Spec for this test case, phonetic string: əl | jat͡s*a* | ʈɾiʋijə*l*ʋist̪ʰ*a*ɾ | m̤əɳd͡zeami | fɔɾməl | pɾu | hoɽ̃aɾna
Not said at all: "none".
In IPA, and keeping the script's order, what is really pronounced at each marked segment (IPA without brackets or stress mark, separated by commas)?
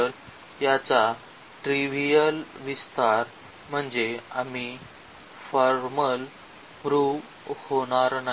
a, l, a